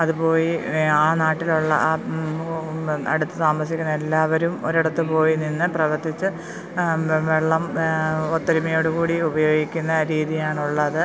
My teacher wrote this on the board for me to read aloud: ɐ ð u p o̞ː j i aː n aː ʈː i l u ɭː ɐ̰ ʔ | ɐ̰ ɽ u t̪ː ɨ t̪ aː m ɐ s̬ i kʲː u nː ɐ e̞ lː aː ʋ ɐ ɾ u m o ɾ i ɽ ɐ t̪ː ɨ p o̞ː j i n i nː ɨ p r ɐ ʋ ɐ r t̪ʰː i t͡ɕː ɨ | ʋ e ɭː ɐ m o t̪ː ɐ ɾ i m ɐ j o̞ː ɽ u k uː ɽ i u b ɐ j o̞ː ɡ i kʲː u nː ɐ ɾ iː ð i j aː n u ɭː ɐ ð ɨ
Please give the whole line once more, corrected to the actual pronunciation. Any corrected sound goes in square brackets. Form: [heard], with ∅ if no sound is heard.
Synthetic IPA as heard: ɐ ð u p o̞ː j i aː n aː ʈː i l u ɭː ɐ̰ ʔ | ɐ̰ ɽ u t̪ː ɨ t̪ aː m ɐ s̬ i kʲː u nː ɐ e̞ lː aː ʋ ɐ ɾ u m o ɾ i ɽ ɐ t̪ː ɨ p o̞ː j i n i nː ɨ p r ɐ ʋ ɐ r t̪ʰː i t͡ɕː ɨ | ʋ e ɭː ɐ m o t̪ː ɐ ɾ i m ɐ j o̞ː ɽ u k uː ɽ i u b ɐ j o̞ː ɡ i kʲː u nː ɐ ɾ iː ð i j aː [ɳ] u ɭː ɐ ð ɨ

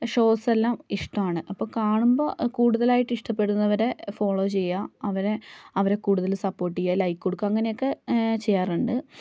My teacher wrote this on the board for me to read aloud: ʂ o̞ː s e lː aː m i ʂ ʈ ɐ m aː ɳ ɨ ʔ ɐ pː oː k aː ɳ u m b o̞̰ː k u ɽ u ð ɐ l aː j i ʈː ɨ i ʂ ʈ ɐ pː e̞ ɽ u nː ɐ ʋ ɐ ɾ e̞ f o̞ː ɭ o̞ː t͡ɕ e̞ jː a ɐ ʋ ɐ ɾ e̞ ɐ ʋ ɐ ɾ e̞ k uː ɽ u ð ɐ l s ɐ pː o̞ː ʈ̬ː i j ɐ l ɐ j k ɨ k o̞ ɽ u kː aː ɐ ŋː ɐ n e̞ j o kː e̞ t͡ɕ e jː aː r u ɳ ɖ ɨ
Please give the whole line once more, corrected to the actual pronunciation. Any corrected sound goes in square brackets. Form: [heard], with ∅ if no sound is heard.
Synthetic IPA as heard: ʂ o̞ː s e lː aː m i ʂ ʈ ɐ m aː ɳ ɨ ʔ ɐ pː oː k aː ɳ u m b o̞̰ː k [uː] ɽ u ð ɐ l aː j i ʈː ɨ i ʂ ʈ ɐ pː e̞ ɽ u nː ɐ ʋ ɐ ɾ e̞ f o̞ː ɭ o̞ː t͡ɕ e̞ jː a ɐ ʋ ɐ ɾ e̞ ɐ ʋ ɐ ɾ e̞ k uː ɽ u ð ɐ l s ɐ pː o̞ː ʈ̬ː i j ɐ l ɐ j k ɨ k o̞ ɽ u kː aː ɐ ŋː ɐ n e̞ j o kː e̞ t͡ɕ e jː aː r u ɳ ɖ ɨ

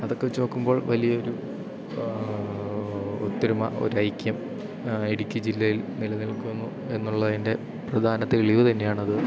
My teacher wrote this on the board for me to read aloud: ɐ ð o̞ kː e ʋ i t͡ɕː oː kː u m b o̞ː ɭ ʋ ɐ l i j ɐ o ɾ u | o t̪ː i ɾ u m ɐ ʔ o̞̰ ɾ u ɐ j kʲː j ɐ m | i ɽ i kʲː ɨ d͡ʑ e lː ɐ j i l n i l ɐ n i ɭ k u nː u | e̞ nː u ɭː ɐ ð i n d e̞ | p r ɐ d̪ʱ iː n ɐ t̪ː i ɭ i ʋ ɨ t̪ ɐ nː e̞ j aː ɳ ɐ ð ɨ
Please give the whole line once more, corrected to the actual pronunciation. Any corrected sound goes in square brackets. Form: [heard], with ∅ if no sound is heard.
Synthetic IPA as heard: ɐ ð o̞ kː e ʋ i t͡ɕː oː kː u m b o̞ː ɭ ʋ ɐ l i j ɐ o ɾ u | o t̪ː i ɾ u m ɐ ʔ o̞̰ ɾ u ɐ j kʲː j ɐ m | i ɽ i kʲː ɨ d͡ʑ [i] lː ɐ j i l n i l ɐ n i ɭ k u nː u | e̞ nː u ɭː ɐ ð i n d e̞ | p r ɐ d̪ʱ [aː] n ɐ t̪ː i ɭ i ʋ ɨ t̪ ɐ nː e̞ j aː ɳ ɐ ð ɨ

